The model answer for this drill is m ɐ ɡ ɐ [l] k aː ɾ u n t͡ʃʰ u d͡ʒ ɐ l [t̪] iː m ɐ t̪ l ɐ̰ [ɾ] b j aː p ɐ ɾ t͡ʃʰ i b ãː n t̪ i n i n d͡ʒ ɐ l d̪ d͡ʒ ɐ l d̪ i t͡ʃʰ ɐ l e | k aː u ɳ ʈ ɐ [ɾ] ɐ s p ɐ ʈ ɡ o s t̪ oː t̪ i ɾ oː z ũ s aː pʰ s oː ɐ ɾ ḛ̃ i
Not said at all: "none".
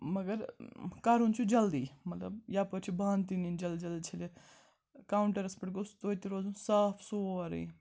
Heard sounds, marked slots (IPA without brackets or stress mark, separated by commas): ɾ, d̪, none, ɾ